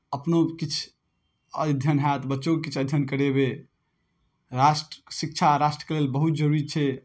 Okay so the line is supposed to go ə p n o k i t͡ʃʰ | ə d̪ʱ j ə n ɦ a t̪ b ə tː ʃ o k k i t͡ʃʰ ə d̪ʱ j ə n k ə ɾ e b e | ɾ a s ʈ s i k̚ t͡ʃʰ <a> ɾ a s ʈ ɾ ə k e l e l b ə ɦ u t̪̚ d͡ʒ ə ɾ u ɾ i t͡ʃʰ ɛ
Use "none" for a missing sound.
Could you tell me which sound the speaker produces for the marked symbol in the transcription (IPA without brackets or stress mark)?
a